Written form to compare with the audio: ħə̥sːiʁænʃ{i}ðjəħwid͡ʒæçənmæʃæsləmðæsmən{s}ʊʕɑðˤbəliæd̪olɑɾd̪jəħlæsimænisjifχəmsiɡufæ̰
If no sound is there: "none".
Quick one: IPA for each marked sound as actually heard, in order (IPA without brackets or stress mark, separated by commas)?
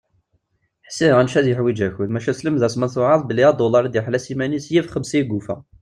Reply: æ, θ